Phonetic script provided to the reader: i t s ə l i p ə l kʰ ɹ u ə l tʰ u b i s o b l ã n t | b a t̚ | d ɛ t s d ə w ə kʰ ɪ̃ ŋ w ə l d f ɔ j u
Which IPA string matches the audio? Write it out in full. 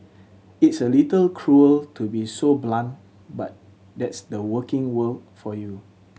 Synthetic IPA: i t s ə l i t ə l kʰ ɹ u ə l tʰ u b i s o b l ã n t | b a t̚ | d ɛ t s d ə w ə k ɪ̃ ŋ w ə l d f ɔ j u